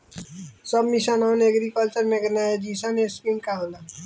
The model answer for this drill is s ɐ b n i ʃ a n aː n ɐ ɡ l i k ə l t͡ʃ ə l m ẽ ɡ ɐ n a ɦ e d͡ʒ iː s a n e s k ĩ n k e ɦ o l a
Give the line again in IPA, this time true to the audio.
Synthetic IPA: s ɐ b m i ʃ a n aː n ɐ ɡ ɾ i k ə l t͡ʃ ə ɾ m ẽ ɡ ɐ n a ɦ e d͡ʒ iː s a n e s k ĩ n k a ɦ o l a